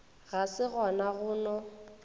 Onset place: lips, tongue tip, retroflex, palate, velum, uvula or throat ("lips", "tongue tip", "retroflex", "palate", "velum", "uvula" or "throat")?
velum